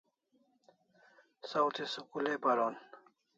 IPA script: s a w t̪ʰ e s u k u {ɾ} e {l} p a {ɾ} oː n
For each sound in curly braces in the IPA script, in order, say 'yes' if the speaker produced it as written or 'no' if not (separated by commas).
no, no, yes